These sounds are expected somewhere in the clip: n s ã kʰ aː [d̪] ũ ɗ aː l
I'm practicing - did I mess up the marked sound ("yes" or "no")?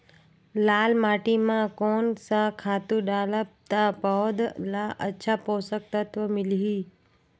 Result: yes